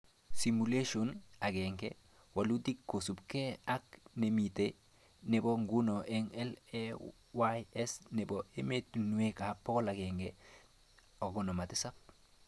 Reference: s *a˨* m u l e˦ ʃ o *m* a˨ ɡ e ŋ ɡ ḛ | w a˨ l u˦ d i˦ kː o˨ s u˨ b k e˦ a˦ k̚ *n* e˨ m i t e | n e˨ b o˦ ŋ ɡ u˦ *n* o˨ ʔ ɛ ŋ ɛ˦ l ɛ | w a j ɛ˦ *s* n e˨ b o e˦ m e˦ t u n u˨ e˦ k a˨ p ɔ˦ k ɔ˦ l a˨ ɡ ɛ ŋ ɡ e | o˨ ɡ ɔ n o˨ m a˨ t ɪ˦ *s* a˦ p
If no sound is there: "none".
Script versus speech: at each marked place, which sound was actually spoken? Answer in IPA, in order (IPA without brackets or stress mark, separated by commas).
i˨, n, n, n, s, s